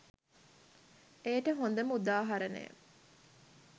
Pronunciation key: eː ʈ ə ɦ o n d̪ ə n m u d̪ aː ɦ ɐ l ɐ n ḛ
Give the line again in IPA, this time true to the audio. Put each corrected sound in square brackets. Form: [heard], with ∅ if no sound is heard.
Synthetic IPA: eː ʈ ə ɦ o n d̪ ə [∅] m u d̪ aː ɦ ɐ [ɾ] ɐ n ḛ